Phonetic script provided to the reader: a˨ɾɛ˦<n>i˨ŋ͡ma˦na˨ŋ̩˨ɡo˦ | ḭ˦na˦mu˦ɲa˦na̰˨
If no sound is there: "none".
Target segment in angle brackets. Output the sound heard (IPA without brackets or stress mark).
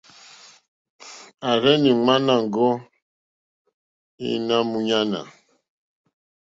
n